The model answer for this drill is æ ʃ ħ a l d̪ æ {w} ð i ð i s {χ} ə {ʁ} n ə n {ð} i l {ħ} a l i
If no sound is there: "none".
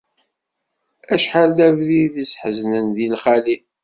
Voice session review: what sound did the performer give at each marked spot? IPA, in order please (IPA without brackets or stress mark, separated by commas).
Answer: v, ħ, z, ð, χ